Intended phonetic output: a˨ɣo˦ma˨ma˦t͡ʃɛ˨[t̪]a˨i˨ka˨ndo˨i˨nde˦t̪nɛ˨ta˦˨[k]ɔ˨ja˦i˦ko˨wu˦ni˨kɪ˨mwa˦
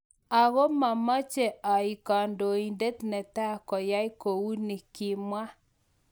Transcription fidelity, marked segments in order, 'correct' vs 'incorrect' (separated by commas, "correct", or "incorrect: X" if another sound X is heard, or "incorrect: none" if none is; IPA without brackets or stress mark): incorrect: none, correct